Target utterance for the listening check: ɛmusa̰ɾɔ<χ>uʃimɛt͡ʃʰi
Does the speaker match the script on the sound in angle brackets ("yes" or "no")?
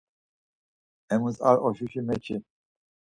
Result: no